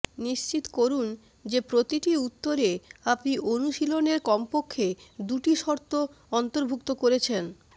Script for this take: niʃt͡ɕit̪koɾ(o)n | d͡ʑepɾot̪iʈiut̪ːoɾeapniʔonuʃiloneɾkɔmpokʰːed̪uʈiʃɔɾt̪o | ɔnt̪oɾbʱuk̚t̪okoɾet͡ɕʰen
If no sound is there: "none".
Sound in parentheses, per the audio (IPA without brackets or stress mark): u